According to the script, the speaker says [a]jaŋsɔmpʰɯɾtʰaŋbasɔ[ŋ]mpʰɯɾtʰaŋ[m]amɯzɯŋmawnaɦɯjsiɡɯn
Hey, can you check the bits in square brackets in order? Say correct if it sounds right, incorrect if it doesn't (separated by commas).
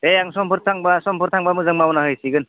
incorrect, incorrect, incorrect